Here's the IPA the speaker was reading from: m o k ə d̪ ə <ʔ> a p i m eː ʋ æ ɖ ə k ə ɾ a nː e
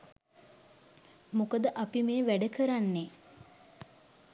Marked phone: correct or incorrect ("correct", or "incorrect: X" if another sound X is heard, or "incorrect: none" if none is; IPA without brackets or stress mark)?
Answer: correct